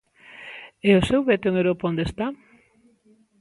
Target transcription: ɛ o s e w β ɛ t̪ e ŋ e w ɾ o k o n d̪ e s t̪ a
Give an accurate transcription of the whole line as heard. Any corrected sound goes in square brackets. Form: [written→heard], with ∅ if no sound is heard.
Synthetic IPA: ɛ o s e w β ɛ t̪ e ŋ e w ɾ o [k→p] o n d̪ e s t̪ a